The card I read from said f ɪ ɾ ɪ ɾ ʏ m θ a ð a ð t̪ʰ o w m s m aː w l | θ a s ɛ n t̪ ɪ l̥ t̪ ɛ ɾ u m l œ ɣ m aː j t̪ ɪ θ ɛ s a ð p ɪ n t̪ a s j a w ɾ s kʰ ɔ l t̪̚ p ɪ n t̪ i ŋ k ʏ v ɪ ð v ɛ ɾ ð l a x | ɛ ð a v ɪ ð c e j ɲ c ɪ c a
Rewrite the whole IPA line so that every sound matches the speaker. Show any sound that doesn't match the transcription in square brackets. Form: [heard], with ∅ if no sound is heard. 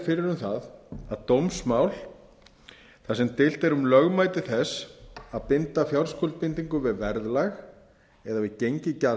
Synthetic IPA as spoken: f ɪ ɾ ɪ ɾ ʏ m θ a ð a ð [t̪] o w m s m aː w l | θ a s ɛ [m] t̪ ɪ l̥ t̪ ɛ ɾ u m l œ ɣ m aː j t̪ ɪ θ ɛ s a ð p ɪ n t̪ a [f] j a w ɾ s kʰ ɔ l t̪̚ p ɪ n t̪ i ŋ k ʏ v ɪ ð v ɛ ɾ ð l a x | ɛ ð a v ɪ ð c e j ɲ c ɪ c a

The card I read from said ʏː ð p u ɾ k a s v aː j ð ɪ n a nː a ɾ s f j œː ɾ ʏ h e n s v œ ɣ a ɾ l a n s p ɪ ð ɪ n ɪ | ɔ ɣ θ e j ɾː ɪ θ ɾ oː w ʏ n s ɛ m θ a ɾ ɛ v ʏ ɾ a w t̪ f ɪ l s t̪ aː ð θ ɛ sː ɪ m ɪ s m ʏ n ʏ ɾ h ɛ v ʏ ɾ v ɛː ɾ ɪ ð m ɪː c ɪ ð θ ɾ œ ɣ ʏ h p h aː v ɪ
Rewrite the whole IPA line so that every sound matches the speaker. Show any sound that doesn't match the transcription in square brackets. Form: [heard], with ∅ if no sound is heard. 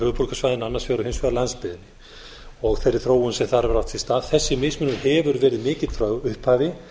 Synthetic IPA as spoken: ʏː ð p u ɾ k a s v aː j ð ɪ n a nː a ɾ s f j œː ɾ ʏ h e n s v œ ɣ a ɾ l a n s p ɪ ð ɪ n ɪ | ɔ ɣ θ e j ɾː ɪ θ ɾ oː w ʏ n s ɛ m θ a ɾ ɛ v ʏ ɾ a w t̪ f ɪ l s t̪ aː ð θ ɛ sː ɪ m ɪ s m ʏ n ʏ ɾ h ɛ v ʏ ɾ v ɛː ɾ ɪ ð m ɪː c ɪ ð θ ɾ œ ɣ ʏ h p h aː v ɪ

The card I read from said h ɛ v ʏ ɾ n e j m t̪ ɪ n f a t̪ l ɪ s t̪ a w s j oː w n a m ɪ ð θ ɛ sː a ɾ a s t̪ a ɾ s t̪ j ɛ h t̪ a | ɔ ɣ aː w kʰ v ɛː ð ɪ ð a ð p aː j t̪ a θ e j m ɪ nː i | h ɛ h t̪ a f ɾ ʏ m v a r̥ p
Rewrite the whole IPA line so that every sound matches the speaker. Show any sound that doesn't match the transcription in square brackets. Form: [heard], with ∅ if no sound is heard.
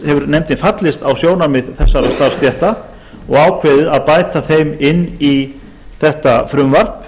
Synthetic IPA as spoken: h ɛ v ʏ ɾ n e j m t̪ ɪ n f a t̪ l ɪ s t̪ a w s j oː w n a m ɪ ð θ ɛ sː a ɾ a s t̪ a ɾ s t̪ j ɛ h t̪ a | ɔ ɣ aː w kʰ v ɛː ð ɪ ð a ð p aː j t̪ a θ e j m ɪ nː i | [θ] ɛ h t̪ a f ɾ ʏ m v a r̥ p

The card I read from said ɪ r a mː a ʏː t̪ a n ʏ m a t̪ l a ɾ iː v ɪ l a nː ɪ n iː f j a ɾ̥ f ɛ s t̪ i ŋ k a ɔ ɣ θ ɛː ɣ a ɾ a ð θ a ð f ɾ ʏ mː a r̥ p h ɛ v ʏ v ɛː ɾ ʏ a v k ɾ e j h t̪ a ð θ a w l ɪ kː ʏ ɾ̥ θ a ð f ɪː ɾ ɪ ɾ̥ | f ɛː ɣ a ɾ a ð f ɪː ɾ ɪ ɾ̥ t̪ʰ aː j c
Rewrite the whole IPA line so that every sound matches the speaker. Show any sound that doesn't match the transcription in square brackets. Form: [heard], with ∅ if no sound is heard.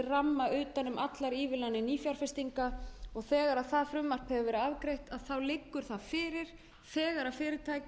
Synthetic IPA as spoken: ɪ r a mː a ʏː t̪ a n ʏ m a t̪ l a ɾ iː v ɪ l a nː ɪ n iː f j a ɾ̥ f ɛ s t̪ i ŋ k a ɔ ɣ θ ɛː ɣ a ɾ a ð θ a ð f ɾ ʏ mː a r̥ p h ɛ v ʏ v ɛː ɾ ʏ a v k ɾ e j h t̪ a ð θ a w l ɪ kː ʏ ɾ̥ θ a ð f ɪː ɾ ɪ ɾ̥ | [θ] ɛː ɣ a ɾ a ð f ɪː ɾ ɪ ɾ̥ t̪ʰ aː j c

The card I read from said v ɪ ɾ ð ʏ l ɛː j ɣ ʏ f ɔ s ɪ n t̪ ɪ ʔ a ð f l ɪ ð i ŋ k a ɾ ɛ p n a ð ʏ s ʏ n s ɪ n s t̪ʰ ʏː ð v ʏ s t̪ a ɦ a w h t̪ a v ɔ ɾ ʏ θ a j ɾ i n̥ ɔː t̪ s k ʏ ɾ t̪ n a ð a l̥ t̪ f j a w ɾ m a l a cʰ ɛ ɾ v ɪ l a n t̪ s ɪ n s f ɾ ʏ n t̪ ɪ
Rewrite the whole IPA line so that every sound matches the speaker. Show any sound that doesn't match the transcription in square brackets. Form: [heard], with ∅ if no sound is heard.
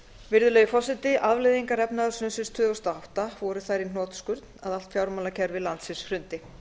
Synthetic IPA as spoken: v ɪ ɾ ð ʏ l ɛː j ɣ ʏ f ɔ s ɪ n t̪ ɪ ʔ a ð [v] l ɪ ð i ŋ k a ɾ ɛ p n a ð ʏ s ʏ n s ɪ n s t̪ʰ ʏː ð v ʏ s t̪ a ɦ a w h t̪ a v ɔ ɾ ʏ θ a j ɾ i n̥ ɔː t̪ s k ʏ ɾ t̪ n a ð a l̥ t̪ f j a w ɾ m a l a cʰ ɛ ɾ v ɪ l a n t̪ s ɪ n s f ɾ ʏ n t̪ ɪ

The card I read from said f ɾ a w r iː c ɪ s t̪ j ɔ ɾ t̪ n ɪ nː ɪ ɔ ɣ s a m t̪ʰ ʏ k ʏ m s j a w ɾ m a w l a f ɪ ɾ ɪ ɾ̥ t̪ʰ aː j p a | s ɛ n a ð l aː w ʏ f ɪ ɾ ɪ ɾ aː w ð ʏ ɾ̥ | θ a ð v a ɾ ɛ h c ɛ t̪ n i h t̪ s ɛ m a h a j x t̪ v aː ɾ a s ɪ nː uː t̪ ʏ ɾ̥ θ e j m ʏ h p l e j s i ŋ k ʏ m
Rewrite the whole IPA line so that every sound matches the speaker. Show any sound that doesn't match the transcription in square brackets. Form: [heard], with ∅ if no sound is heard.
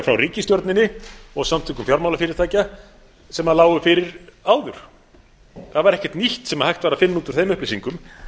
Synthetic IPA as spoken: f ɾ a w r iː c ɪ s t̪ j ɔ ɾ t̪ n ɪ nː ɪ ɔ ɣ s a m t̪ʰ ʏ k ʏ m [f] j a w ɾ m a w l a f ɪ ɾ ɪ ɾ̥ t̪ʰ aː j [c] a | s ɛ [m] a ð l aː w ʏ f ɪ ɾ ɪ ɾ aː w ð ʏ ɾ̥ | θ a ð v a ɾ ɛ h c ɛ t̪ n i h t̪ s ɛ m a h a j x t̪ v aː ɾ a [f] ɪ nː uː t̪ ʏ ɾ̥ θ e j m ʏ h p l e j s i ŋ k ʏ m

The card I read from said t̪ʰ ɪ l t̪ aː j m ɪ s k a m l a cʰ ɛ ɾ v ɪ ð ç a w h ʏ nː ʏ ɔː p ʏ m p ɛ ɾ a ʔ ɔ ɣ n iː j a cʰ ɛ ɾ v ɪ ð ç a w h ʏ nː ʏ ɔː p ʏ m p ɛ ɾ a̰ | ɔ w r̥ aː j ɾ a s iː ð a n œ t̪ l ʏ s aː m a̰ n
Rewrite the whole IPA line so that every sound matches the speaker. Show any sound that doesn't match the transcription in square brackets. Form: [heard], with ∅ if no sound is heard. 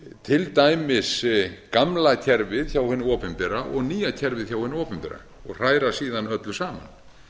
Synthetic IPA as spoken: t̪ʰ ɪ l t̪ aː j m ɪ s k a m l a cʰ ɛ ɾ v ɪ ð ç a w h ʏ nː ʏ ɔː p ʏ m p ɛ ɾ a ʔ ɔ ɣ n iː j a cʰ ɛ ɾ v ɪ ð ç a w h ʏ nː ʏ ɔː p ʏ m p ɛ ɾ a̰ | ɔ [ɣ] r̥ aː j ɾ a s iː ð a n œ t̪ l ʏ s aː m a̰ n

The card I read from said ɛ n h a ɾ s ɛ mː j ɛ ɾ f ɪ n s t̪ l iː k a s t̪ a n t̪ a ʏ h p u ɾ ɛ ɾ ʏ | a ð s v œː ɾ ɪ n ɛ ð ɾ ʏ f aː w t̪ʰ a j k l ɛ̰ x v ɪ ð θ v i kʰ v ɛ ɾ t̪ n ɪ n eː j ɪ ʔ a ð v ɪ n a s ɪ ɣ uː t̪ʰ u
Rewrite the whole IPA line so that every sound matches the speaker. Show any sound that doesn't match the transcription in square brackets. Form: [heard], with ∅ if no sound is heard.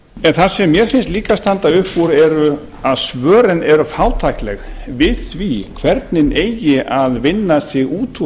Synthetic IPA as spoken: ɛ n [θ] a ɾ s ɛ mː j ɛ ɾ f ɪ n s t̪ l iː k a s t̪ a n t̪ a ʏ h p u ɾ ɛ ɾ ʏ | a ð s v œː ɾ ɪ n ɛ [∅] ɾ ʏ f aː w t̪ʰ a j k l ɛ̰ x v ɪ ð θ v i kʰ v ɛ ɾ t̪ n ɪ n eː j ɪ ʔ a ð v ɪ [nː] a s ɪ ɣ uː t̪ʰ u

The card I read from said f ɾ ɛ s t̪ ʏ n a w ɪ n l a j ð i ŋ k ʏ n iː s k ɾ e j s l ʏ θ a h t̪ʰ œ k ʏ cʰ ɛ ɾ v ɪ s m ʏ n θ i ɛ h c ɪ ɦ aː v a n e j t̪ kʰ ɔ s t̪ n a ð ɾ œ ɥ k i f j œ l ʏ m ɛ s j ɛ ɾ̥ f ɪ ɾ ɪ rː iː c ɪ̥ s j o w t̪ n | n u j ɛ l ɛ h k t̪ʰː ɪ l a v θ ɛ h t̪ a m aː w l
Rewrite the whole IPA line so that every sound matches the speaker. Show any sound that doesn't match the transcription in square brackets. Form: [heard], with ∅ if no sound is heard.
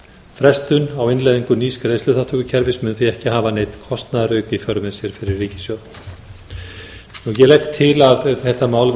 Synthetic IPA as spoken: f ɾ ɛ s t̪ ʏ n a w ɪ n l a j ð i ŋ k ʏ n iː s k ɾ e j s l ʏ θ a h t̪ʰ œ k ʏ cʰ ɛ ɾ v ɪ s m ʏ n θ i ɛ h c ɪ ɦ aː v a n e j t̪ kʰ ɔ s t̪ n a ð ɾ œ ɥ k i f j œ [ɾ] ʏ m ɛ s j ɛ ɾ̥ f ɪ ɾ ɪ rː iː c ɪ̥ s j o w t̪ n | n u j ɛ l ɛ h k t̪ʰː ɪ l a v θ ɛ h t̪ a m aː w l

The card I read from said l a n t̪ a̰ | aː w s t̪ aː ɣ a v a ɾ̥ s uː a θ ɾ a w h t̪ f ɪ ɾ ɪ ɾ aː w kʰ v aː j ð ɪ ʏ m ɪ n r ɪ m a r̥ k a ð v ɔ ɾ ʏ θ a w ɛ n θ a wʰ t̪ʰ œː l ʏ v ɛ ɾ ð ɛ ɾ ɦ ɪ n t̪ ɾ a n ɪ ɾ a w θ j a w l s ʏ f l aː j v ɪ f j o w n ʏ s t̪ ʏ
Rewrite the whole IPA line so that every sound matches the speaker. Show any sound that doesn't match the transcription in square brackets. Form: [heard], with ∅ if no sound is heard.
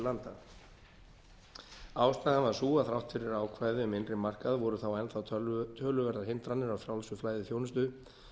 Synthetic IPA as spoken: l a n t̪ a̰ | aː w s t̪ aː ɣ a v a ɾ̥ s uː a θ ɾ a w h t̪ f ɪ ɾ ɪ ɾ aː w kʰ v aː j ð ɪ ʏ m ɪ n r ɪ m a r̥ k a ð v ɔ ɾ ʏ θ a w ɛ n θ a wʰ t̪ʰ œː l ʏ v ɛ ɾ ð [a] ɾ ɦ ɪ n t̪ ɾ a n ɪ ɾ a w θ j a w l s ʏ f l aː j [ð] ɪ [θ] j o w n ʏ s t̪ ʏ

